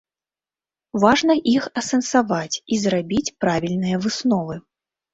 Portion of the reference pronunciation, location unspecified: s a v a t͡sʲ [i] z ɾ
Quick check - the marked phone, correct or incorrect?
correct